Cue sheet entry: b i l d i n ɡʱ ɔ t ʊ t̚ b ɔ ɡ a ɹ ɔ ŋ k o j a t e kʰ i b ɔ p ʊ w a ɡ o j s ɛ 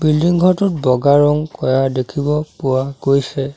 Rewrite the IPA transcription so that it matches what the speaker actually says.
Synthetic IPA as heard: b i l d i ŋ ɡʱ ɔ t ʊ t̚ b ɔ ɡ a ɹ ɔ ŋ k ɔ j a d e kʰ i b ɔ p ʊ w a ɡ o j s ɛ